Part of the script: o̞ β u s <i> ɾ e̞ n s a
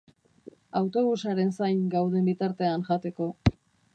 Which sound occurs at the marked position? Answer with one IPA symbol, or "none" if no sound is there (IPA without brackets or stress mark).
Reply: a